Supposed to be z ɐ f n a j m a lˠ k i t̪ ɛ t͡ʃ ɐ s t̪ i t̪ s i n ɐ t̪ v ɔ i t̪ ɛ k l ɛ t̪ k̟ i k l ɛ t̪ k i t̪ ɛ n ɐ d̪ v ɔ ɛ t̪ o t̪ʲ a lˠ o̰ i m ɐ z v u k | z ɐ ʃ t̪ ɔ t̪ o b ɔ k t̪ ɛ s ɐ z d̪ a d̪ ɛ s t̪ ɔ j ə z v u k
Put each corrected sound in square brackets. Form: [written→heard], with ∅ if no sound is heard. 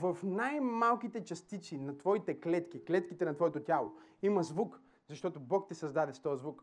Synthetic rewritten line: [z→v] ɐ f n a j m a lˠ k i t̪ ɛ t͡ʃ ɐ s t̪ i t̪ s i n ɐ t̪ v ɔ i t̪ ɛ k l ɛ t̪ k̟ i k l ɛ t̪ k i t̪ ɛ n ɐ [d̪→t̪] v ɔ ɛ t̪ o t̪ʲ a lˠ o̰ i m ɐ z v u k | z ɐ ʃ t̪ ɔ t̪ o b ɔ k t̪ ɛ s ɐ z d̪ a d̪ ɛ s t̪ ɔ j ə z v u k